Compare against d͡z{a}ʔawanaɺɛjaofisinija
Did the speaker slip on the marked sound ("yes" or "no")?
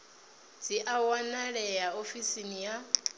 yes